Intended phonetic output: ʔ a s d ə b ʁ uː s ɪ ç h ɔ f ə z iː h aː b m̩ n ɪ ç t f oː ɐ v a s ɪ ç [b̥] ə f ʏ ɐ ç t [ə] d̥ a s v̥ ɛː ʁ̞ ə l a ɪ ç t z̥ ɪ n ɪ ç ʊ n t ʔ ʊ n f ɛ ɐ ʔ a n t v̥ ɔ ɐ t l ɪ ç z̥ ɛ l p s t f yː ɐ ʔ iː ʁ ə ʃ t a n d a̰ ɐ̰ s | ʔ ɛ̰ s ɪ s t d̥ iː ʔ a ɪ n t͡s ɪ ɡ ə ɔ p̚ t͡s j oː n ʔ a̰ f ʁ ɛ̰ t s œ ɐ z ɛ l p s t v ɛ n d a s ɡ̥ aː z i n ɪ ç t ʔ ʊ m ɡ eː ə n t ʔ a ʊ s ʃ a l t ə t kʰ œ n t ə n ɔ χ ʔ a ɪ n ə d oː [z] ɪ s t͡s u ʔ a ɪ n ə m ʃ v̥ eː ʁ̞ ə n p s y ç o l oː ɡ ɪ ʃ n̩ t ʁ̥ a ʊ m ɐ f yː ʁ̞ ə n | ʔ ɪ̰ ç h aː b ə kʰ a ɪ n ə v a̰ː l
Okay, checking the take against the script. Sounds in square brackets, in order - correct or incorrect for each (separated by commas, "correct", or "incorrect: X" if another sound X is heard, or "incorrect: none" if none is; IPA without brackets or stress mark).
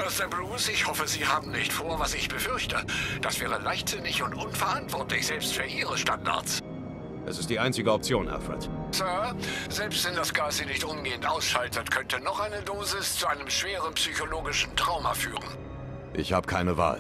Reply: correct, correct, correct